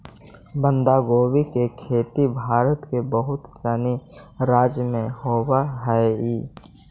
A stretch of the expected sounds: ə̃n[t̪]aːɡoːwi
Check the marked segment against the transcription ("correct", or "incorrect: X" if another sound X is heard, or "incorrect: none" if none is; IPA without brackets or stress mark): incorrect: d̪